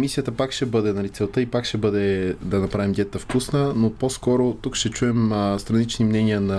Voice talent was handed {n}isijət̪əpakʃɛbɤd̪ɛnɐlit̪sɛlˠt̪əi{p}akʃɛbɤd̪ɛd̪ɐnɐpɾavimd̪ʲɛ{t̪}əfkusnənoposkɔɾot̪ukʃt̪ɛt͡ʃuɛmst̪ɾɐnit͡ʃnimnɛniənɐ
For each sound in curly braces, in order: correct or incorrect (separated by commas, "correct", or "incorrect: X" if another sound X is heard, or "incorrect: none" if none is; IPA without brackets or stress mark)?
incorrect: m, correct, correct